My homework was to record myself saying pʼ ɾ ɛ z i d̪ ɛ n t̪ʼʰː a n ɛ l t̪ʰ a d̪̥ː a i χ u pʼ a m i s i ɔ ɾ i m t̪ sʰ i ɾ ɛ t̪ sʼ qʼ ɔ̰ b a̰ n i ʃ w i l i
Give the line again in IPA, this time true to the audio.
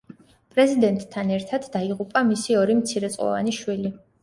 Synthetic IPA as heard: pʼ ɾ ɛ z i d̪ ɛ n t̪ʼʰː a n ɛ ɾ t̪ʰ a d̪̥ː a i ʁ u pʼ a m i s i ɔ ɾ i m t̪ sʰ i ɾ ɛ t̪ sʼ qʼ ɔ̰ v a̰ n i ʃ w i l i